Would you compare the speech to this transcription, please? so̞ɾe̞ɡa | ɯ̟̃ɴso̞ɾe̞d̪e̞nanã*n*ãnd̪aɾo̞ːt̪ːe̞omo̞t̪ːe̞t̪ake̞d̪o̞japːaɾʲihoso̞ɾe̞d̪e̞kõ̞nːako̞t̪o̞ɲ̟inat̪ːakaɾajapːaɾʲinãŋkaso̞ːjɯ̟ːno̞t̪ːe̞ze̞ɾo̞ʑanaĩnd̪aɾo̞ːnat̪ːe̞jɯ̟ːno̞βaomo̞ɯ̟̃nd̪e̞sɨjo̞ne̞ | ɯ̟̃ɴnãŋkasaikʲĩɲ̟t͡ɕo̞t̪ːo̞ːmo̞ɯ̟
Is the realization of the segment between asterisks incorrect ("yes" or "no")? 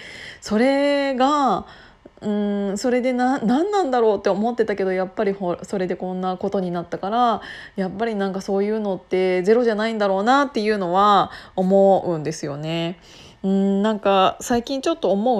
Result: yes